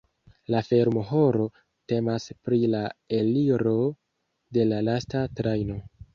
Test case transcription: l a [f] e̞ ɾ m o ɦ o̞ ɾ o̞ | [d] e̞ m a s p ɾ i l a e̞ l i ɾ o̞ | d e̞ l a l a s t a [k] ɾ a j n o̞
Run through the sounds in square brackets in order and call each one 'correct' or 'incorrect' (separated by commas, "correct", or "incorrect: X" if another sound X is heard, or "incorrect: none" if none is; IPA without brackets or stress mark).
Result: correct, incorrect: t, incorrect: t